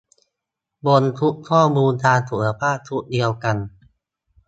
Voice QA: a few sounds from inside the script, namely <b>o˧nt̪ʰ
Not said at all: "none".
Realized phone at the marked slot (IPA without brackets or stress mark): b